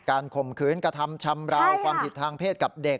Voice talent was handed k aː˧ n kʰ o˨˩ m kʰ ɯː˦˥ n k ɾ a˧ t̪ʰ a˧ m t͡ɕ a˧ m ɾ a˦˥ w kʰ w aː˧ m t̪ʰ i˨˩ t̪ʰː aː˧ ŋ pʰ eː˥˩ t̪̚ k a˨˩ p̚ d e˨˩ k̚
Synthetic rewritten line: k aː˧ n kʰ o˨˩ m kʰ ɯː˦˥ n k ɾ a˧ t̪ʰ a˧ m t͡ɕʰ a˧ m ɾ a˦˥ w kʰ w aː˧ m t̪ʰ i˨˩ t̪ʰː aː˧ ŋ pʰ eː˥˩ t̪̚ k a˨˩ p̚ d e˨˩ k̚

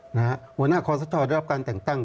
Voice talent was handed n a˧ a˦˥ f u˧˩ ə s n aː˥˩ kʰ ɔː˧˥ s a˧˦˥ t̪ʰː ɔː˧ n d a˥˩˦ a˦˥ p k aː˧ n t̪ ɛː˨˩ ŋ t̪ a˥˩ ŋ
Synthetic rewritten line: n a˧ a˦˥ h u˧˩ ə n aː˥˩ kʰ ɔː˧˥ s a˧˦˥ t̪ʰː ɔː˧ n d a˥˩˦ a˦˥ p k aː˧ n t̪ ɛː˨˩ ŋ t̪ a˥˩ ŋ

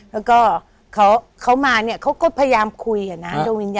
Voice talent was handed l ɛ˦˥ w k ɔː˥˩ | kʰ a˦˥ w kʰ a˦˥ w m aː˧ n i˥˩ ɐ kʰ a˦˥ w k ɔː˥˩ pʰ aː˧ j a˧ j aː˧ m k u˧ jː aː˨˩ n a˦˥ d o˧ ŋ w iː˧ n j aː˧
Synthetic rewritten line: l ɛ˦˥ w k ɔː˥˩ | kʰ a˦˥ w kʰ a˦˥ w m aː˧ n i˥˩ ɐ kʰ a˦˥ w k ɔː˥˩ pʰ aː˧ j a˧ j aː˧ m kʰ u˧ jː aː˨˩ n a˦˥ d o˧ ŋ w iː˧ n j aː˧

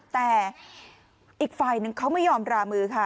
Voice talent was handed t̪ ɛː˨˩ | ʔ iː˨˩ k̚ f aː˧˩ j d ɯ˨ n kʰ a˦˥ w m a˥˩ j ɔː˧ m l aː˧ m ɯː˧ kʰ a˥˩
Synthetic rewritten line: t̪ ɛː˨˩ | ʔ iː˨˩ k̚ f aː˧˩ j n ɯ˨ ŋ kʰ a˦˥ w m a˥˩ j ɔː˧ m ɾ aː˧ m ɯː˧ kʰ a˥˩

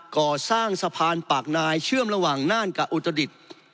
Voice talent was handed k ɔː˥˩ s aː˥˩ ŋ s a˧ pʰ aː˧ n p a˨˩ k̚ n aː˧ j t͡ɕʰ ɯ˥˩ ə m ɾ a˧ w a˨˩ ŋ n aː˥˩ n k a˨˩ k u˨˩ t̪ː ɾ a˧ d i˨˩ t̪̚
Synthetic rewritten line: k ɔː˨˩ s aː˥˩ ŋ s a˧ pʰ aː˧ n p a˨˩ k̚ n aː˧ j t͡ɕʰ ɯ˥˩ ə m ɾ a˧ w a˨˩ ŋ n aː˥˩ n k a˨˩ ʔ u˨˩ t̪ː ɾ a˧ d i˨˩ t̪̚

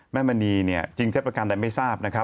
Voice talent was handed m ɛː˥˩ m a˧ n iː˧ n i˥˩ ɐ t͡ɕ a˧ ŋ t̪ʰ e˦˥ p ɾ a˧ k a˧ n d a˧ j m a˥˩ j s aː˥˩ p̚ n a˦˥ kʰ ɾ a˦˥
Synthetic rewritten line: m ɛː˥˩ m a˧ n iː˧ n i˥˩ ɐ t͡ɕ i˧ ŋ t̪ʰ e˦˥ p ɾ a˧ k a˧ n d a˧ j m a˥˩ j s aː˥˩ p̚ n a˦˥ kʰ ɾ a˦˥

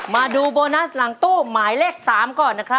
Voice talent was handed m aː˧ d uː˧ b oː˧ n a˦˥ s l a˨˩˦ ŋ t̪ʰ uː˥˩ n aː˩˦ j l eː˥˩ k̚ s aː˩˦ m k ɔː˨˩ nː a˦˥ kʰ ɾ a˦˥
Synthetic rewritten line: m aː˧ d uː˧ b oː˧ n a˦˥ s l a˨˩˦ ŋ t̪ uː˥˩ m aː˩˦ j l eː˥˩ k̚ s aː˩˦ m k ɔː˨˩ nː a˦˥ kʰ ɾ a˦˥

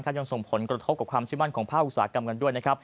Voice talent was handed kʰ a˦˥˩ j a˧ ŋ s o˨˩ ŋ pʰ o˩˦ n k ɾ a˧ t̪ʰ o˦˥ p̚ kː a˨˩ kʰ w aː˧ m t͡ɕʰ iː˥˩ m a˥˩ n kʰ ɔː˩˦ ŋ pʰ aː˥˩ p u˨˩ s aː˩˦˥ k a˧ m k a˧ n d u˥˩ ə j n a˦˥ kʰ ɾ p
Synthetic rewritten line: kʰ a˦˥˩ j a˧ ŋ s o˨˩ ŋ pʰ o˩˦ n k ɾ a˧ t̪ʰ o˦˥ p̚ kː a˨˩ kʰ w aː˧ m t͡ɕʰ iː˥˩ m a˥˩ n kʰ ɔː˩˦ ŋ pʰ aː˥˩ ʔ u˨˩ s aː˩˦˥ k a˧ m k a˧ n d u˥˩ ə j n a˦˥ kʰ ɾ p

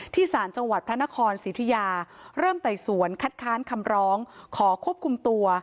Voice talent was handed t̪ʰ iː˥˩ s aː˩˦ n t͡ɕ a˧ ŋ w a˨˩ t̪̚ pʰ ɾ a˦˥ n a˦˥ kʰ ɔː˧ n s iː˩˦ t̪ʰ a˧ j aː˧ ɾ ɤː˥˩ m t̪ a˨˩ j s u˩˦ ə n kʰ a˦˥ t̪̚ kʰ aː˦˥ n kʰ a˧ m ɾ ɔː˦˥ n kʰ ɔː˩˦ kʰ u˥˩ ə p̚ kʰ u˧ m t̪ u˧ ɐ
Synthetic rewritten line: t̪ʰ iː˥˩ s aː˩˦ n t͡ɕ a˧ ŋ w a˨˩ t̪̚ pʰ ɾ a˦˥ n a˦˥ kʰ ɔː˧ n s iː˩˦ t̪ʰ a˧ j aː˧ ɾ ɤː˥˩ m t̪ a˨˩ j s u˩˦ ə n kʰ a˦˥ t̪̚ kʰ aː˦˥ n kʰ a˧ m ɾ ɔː˦˥ ŋ kʰ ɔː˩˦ kʰ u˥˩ ə p̚ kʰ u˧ m t̪ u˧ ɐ

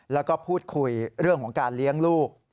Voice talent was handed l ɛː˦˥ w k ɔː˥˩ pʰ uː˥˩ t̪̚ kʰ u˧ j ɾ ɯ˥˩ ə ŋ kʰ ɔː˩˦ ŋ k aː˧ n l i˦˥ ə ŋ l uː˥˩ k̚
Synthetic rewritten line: l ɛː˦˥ w k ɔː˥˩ pʰ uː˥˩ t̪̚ kʰ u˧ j ɾ ɯ˥˩ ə ŋ kʰ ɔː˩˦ ŋ k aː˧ n l i˦˥ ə ŋ l uː˥˩ k̚

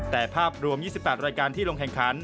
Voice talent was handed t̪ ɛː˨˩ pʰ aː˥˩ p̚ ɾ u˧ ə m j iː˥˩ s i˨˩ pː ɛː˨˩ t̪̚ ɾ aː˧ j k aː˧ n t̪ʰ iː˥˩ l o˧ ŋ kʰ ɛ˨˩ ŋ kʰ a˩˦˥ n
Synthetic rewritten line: t̪ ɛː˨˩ pʰ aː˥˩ p̚ ɾ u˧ ə m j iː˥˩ s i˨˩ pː ɛː˨˩ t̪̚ ɾ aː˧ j k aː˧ n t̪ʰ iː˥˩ l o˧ ŋ kʰ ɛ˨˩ ŋ kʰ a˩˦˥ n

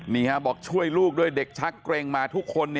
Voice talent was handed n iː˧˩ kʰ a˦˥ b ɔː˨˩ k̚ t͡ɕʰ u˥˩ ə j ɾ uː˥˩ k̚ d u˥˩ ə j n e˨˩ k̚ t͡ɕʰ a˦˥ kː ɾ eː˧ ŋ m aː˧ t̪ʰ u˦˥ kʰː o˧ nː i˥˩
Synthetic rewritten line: n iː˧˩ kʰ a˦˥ b ɔː˨˩ k̚ t͡ɕʰ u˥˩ ə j l uː˥˩ k̚ d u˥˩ ə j d e˨˩ k̚ t͡ɕʰ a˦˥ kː ɾ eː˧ ŋ m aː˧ t̪ʰ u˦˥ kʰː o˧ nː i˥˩

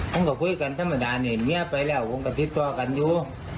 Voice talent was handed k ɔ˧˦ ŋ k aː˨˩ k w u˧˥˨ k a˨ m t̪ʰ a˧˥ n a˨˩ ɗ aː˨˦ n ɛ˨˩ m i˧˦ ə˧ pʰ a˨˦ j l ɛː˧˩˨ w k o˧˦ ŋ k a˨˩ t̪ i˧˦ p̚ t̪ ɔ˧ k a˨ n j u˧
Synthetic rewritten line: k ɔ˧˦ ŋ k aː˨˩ k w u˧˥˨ k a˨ n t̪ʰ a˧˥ m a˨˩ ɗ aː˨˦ n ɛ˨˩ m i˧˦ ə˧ p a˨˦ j l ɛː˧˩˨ w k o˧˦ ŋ k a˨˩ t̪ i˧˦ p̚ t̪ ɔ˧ k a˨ n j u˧

